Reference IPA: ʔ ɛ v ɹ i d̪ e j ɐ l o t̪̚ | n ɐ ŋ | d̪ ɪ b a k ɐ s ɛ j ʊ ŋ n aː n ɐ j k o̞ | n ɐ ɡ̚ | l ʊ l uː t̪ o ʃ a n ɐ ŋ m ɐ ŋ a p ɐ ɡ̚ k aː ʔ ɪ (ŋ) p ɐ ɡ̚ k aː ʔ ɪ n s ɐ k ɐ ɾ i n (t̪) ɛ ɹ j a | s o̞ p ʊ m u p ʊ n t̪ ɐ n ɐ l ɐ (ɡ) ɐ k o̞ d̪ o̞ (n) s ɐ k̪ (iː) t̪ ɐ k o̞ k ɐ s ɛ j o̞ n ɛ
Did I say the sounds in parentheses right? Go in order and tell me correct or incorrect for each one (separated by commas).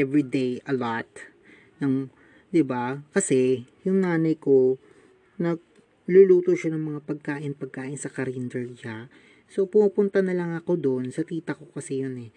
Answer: incorrect, incorrect, incorrect, correct, correct